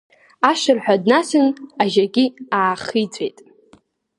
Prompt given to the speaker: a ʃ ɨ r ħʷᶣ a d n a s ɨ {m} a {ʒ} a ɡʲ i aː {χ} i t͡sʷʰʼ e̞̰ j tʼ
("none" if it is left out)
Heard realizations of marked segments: n, ʒ, χ

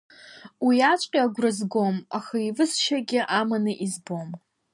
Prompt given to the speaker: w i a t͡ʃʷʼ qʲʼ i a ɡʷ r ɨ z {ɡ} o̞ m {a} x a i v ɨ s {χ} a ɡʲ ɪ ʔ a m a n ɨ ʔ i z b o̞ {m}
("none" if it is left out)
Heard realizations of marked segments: ɡ, a, ʃ, m

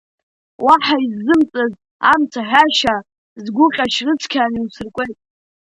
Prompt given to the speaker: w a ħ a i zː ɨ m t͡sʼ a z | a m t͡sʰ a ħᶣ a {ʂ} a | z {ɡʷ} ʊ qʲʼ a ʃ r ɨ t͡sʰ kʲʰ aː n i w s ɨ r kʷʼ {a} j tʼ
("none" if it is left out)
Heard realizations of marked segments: ʃ, ɡʷ, e

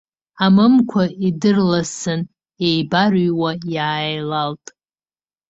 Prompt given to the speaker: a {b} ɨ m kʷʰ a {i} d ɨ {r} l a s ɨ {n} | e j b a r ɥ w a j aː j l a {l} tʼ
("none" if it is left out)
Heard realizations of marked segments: m, i, r, n, l

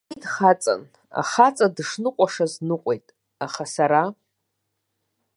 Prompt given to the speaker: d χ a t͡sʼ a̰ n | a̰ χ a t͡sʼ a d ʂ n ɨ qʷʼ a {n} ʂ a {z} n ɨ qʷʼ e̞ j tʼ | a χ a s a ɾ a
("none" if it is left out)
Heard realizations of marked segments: none, z

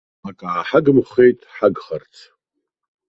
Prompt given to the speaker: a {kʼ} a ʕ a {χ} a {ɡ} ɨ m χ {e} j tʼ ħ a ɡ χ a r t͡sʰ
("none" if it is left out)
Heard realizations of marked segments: kʼ, ħ, ɡ, e

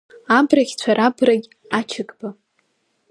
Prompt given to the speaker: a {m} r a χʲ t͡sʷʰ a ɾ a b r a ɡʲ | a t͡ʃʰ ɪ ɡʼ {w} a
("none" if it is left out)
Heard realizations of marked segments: b, b

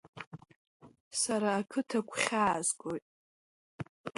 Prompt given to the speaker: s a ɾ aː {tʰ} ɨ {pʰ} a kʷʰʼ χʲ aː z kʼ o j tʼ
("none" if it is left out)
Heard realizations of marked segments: kʰ, tʰ

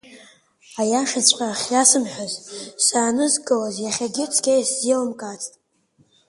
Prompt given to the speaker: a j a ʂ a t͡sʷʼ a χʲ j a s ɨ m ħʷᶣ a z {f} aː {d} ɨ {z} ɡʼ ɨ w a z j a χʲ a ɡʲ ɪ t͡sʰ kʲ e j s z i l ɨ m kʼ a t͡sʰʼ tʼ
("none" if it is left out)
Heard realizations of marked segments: s, n, z

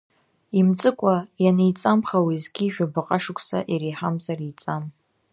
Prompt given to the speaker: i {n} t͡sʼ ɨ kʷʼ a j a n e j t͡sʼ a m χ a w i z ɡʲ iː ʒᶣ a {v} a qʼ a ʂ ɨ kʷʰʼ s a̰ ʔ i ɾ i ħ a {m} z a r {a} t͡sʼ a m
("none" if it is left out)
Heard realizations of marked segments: m, b, m, i

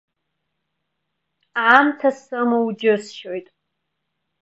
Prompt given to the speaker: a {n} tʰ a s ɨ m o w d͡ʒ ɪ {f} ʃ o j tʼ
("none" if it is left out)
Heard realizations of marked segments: m, s

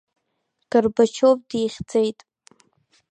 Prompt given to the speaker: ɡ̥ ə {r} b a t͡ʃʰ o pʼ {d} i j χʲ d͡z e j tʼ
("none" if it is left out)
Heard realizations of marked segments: r, d

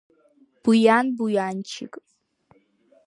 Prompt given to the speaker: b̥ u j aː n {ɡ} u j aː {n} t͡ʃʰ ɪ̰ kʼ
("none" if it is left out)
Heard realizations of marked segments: b, n

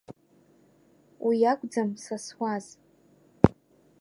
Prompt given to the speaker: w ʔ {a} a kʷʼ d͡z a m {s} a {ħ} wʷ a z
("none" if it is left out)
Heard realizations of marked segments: i, s, s

